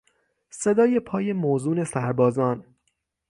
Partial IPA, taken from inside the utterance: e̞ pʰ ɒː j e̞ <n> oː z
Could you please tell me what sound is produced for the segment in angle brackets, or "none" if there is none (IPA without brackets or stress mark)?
m